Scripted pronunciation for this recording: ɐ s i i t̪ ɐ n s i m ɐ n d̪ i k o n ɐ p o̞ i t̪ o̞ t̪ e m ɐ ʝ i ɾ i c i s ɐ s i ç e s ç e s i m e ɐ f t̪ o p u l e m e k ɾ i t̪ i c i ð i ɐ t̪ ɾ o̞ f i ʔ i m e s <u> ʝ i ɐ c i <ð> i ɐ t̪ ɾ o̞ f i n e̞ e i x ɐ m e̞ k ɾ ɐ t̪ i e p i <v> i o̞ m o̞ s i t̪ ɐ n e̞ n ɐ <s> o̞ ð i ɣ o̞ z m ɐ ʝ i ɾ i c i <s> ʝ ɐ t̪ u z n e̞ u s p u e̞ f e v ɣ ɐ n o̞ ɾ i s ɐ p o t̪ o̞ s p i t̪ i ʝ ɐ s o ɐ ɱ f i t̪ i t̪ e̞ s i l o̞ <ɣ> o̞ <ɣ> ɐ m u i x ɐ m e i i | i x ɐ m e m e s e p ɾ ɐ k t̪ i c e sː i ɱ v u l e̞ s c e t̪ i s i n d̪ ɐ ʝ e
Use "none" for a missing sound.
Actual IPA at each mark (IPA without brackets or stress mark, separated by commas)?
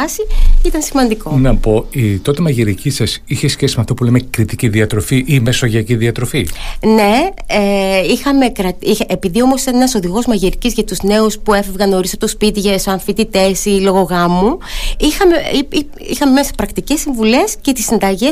o, ð, ð, s, z, ɣ, ɣ